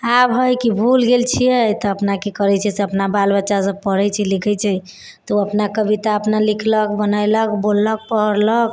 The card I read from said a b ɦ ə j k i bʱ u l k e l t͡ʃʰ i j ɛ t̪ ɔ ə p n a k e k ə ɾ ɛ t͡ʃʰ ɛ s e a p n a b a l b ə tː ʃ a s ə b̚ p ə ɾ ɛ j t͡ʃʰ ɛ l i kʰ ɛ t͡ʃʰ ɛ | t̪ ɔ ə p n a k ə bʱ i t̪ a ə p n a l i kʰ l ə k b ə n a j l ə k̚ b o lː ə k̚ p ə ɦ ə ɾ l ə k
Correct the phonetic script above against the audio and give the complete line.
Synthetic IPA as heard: a b ɦ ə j k i bʱ u l ɡ e l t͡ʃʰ i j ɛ t̪ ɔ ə p n a k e k ə ɾ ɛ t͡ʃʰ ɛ s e ə p n a b a l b ə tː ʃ a s ə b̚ p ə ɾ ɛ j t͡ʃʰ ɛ l i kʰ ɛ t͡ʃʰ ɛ | t̪ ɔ ə p n a k ə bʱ i t̪ a ə p n a l i kʰ l ə k b ə n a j l ə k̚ b o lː ə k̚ p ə ɦ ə ɾ l ə k